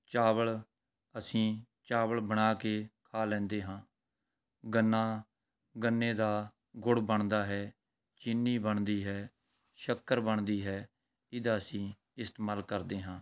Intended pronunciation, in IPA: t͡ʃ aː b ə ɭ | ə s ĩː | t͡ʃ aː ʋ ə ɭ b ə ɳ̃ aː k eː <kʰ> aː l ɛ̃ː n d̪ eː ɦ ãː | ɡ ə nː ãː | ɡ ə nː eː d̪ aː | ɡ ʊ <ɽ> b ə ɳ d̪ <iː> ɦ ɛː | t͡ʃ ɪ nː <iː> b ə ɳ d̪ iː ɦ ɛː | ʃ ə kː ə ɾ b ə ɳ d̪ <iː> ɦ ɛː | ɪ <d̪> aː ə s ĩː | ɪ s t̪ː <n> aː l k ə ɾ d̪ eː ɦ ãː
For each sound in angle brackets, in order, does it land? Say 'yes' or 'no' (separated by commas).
yes, yes, no, yes, yes, yes, no